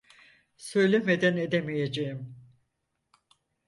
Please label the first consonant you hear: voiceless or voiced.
voiceless